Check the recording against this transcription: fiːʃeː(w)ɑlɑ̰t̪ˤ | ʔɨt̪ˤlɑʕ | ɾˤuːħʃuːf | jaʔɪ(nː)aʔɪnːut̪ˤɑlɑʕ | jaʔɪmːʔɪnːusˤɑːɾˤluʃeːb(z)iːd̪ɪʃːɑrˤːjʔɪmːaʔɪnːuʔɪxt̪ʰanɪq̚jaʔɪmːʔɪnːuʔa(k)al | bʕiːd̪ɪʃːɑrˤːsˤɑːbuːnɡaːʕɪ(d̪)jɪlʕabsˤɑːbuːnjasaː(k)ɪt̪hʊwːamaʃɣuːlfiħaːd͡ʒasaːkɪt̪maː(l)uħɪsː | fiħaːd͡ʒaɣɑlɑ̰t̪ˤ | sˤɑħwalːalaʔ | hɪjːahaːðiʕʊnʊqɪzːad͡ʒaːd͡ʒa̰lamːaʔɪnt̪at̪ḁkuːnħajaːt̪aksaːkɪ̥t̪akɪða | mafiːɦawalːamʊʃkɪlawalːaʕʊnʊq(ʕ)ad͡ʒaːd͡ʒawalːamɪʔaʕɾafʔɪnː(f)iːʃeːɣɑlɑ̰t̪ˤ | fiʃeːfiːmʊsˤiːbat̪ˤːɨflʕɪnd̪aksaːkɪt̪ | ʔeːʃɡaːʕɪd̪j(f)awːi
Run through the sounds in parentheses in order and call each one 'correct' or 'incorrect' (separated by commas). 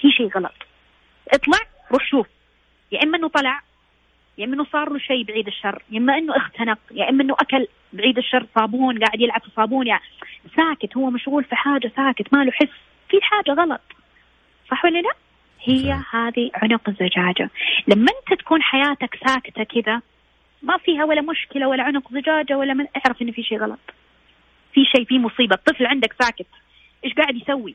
incorrect, incorrect, incorrect, correct, correct, correct, correct, incorrect, correct, incorrect